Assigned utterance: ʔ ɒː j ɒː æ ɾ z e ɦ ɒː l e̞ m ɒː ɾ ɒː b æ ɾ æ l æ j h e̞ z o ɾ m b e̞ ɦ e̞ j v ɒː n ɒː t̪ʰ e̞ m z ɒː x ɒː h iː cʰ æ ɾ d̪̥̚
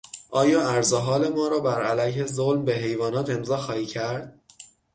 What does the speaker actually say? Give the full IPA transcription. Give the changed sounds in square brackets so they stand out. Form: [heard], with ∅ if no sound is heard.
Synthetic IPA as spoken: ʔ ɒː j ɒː æ ɾ z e ɦ ɒː l e̞ m ɒː ɾ ɒː b æ ɾ æ l æ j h e̞ z o [l] m b e̞ ɦ e̞ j v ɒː n ɒː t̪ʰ e̞ m z ɒː x ɒː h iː cʰ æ ɾ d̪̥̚